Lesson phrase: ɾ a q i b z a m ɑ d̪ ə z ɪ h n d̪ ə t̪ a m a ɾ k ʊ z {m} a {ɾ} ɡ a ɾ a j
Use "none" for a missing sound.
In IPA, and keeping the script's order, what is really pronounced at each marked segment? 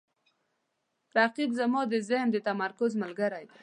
m, l

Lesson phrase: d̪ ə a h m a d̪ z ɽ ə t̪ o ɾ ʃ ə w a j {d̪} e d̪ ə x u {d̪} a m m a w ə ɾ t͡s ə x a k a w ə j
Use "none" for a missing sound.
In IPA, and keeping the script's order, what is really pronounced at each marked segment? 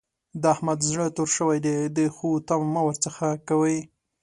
d̪, t̪

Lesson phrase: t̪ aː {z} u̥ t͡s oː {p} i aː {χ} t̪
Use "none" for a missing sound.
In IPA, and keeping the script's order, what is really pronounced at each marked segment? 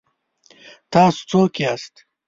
s, k, s

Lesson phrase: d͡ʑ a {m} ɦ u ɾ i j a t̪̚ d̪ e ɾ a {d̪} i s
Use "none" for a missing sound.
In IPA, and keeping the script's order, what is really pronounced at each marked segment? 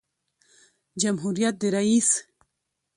m, none

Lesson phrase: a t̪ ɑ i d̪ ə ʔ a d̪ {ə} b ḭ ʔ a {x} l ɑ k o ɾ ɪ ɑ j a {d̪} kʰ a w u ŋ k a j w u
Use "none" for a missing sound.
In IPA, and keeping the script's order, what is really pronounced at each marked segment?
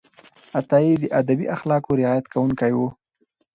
a, x, t̪

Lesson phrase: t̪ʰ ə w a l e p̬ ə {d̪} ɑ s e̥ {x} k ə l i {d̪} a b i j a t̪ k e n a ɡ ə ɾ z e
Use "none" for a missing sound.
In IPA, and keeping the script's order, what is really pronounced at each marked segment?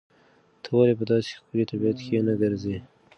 d̪, x, t̪

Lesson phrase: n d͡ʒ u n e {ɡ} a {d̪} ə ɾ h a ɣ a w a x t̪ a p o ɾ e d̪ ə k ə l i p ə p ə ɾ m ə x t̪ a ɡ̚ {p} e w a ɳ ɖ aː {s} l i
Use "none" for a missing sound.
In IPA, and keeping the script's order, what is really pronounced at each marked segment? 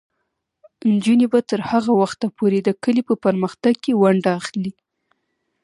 b, t̪, k, x

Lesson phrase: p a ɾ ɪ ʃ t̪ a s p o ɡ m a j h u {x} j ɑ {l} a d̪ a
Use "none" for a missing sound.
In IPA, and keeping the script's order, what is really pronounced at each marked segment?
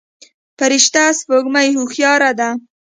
x, ɾ

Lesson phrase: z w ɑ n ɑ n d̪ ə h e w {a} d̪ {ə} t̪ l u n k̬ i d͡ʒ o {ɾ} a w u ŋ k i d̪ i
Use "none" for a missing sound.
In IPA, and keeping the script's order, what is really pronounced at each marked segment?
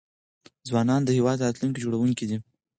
ɑ, a, ɽ

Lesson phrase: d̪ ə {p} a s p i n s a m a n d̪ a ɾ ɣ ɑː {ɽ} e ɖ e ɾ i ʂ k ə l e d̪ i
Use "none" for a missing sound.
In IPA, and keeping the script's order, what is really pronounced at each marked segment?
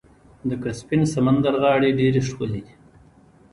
k, ɽ

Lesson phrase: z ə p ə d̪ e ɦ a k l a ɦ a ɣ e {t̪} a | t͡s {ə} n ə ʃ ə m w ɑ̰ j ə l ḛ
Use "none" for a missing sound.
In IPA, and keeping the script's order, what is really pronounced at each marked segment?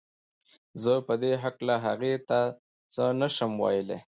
t̪, ə

